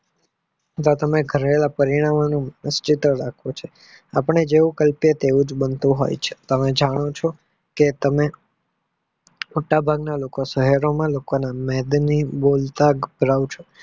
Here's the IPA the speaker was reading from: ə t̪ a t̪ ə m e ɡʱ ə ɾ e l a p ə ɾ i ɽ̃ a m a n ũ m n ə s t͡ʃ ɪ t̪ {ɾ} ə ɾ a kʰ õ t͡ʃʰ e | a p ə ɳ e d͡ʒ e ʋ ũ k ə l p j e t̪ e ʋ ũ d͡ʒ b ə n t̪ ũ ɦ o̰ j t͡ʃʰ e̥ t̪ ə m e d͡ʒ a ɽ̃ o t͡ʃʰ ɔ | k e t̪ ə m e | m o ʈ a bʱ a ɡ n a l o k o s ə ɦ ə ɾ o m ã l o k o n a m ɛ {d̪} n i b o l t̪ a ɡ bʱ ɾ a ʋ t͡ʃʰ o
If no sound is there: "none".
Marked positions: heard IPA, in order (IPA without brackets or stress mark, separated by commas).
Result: ɾ, d̪